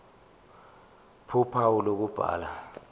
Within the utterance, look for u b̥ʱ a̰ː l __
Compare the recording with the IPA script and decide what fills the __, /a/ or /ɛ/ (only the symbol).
a